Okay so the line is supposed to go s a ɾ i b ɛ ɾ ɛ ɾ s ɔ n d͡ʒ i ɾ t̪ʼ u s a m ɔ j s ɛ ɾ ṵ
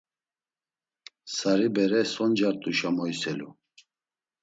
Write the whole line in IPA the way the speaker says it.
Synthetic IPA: s a ɾ i b ɛ ɾ ɛ s ɔ n d͡ʒ a ɾ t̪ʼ u ʃ a m ɔ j s ɛ l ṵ